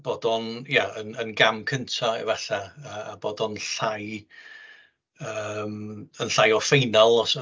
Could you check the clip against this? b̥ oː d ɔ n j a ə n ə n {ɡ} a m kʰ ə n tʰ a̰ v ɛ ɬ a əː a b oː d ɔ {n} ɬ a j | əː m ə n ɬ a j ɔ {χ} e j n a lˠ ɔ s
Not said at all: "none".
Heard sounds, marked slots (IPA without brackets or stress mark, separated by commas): ɡ, n, f